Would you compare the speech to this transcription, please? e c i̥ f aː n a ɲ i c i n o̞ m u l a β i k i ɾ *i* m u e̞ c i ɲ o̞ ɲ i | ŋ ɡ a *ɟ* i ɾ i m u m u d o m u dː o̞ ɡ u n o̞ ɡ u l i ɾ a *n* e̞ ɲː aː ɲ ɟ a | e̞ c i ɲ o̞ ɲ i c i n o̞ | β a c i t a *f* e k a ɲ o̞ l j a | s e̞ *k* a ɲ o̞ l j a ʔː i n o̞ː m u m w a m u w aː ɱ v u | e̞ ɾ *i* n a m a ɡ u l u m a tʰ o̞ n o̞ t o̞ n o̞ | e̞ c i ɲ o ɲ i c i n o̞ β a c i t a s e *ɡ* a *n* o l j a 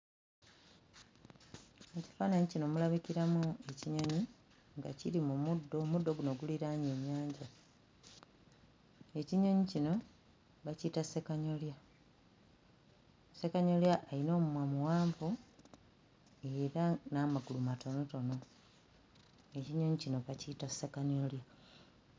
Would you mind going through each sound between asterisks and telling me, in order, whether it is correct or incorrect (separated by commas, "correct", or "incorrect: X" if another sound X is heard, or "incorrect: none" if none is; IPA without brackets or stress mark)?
incorrect: a, incorrect: c, incorrect: ɲ, incorrect: s, correct, incorrect: a, incorrect: k, incorrect: ɲ